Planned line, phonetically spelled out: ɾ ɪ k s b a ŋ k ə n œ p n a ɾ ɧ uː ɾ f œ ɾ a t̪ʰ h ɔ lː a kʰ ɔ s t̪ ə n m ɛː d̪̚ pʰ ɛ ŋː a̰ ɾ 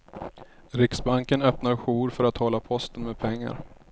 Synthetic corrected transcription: ɾ ɪ k s b a ŋ k ə n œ p n a ɾ ɧ uː ɾ f œ ɾ a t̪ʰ h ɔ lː a pʰ ɔ s t̪ ə n m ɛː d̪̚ pʰ ɛ ŋː a̰ ɾ